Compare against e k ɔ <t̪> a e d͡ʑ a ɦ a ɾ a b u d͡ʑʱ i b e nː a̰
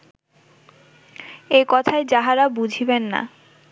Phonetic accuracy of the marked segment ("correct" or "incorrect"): incorrect